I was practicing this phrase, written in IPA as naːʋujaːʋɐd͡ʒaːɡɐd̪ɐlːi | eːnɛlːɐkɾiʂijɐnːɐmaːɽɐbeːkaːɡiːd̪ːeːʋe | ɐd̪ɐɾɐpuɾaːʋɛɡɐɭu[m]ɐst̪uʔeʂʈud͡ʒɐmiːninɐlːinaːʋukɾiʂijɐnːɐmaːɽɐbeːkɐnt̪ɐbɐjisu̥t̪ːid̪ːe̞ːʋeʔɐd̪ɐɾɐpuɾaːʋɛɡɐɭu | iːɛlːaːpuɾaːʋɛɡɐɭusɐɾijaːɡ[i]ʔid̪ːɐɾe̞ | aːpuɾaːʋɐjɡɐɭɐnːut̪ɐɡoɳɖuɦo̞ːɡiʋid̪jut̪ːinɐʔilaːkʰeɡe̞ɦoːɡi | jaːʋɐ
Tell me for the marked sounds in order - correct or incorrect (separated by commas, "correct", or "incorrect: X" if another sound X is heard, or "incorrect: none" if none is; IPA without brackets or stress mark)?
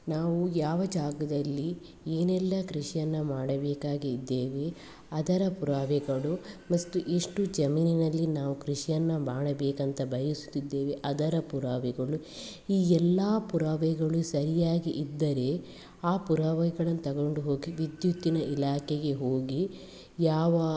correct, correct